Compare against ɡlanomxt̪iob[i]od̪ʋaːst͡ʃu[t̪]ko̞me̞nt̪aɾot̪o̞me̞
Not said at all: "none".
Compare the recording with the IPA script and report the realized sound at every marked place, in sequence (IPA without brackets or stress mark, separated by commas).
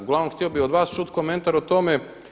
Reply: i, t̪